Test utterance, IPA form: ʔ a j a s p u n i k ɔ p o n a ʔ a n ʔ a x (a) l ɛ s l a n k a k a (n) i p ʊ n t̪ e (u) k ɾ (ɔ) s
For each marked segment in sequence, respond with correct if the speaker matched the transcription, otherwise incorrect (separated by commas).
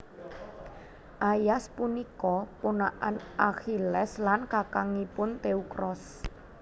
incorrect, incorrect, correct, correct